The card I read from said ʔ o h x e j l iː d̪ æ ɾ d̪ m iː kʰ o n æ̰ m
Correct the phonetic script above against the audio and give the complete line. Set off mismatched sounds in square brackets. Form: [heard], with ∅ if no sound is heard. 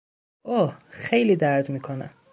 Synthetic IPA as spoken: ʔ o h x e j l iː d̪ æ ɾ d̪ m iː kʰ o n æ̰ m